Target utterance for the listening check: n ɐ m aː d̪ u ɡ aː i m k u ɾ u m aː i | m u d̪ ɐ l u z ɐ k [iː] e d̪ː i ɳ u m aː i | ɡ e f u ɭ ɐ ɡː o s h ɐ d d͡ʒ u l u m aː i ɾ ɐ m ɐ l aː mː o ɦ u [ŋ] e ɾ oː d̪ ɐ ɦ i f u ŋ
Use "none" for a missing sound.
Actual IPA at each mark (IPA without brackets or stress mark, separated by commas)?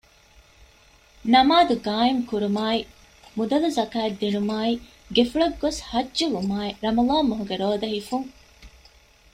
aː, ɡ